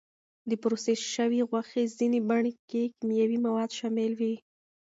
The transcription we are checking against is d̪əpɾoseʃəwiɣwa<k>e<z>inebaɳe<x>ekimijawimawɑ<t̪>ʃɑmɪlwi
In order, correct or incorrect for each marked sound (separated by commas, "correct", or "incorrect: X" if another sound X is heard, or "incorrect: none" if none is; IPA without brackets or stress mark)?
incorrect: x, correct, incorrect: k, incorrect: d̪